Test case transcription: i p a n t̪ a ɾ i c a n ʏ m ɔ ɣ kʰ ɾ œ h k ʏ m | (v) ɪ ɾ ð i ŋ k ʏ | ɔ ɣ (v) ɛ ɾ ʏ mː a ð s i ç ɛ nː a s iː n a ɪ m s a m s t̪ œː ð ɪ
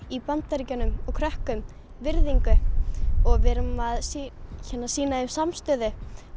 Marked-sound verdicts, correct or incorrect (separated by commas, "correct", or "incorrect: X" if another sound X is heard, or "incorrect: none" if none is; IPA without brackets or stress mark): correct, correct